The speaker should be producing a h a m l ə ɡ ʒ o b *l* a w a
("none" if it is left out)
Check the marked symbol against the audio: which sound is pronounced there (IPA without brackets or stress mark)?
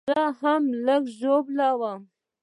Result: l